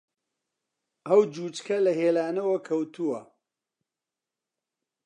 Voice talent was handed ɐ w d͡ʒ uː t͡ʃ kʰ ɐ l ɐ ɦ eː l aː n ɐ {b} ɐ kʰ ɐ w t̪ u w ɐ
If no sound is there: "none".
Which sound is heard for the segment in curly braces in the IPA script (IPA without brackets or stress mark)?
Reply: w